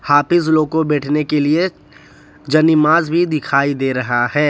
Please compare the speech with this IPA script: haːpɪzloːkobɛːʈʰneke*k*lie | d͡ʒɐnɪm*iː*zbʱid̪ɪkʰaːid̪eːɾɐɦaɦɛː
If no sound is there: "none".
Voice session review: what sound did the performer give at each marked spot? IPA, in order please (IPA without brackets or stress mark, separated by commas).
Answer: none, aː